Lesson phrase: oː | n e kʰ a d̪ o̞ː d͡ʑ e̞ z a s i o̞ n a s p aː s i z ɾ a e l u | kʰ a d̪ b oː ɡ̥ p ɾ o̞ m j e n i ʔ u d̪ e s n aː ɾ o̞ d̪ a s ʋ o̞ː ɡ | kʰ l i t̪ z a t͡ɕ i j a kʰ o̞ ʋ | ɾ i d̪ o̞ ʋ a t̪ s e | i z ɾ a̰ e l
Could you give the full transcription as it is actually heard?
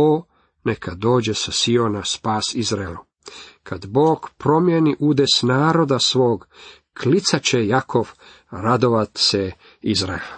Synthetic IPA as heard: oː | n e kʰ a d̪ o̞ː d͡ʑ e̞ s a s i o̞ n a s p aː s i z ɾ a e l u | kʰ a d̪ b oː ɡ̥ p ɾ o̞ m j e n i ʔ u d̪ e s n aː ɾ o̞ d̪ a s ʋ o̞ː ɡ | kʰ l i t̪ s a t͡ɕ e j a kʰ o̞ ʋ | ɾ a d̪ o̞ ʋ a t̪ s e | i z ɾ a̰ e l